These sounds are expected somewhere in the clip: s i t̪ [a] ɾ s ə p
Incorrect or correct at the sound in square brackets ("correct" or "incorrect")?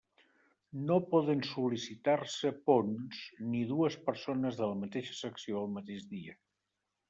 correct